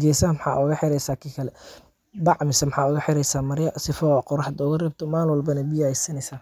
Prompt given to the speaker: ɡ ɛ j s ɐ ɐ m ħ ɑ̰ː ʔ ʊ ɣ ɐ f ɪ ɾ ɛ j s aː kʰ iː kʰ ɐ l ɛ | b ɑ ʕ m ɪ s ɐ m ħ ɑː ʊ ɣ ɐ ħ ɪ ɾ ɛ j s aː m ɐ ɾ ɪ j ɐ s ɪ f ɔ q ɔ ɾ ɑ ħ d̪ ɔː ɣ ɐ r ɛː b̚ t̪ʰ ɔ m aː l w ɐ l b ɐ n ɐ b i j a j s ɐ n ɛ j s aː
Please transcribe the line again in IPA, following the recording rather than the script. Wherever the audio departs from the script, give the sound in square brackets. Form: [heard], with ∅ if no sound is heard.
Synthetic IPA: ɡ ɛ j s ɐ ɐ m ħ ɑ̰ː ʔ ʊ ɣ ɐ [ħ] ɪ ɾ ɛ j s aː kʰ iː kʰ ɐ l ɛ | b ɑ ʕ m ɪ s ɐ m ħ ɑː ʊ ɣ ɐ ħ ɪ ɾ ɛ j s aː m ɐ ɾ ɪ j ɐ s ɪ f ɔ q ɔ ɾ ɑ ħ d̪ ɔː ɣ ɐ r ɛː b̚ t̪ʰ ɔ m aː l w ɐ l b ɐ n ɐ b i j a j s ɐ n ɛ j s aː